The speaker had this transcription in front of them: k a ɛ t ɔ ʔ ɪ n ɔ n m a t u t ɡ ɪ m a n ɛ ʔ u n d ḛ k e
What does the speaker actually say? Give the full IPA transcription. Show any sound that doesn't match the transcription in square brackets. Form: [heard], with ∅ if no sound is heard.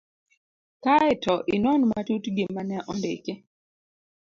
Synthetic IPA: k a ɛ t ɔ ʔ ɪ n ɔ n m a t u t ɡ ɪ m a n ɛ ʔ [ɔ] n d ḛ k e